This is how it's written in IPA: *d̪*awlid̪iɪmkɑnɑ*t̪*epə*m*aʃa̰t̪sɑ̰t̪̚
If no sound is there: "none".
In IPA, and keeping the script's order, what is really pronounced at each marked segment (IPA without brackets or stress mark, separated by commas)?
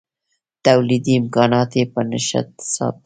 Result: t̪, t̪, n